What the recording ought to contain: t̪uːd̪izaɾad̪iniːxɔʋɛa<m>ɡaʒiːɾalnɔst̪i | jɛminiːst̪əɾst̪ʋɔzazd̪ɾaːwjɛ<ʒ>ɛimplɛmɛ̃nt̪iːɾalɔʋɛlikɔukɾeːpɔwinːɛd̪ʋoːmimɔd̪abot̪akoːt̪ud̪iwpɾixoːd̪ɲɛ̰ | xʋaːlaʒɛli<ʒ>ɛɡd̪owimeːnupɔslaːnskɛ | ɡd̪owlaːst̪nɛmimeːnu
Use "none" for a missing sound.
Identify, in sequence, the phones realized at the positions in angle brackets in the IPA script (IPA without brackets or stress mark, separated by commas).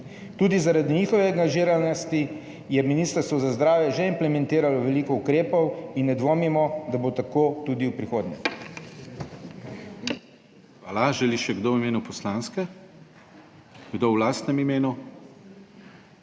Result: ŋ, ʒ, ʃ